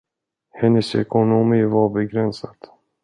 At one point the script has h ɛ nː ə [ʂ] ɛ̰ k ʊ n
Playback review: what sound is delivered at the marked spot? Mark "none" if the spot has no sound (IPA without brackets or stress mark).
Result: s